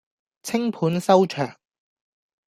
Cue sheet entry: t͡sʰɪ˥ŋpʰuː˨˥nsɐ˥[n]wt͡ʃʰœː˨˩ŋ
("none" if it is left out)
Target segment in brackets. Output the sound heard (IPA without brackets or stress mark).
none